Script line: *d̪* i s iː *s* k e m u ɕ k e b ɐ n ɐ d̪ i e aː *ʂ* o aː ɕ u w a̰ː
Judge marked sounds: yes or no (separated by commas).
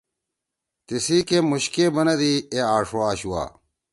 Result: no, no, yes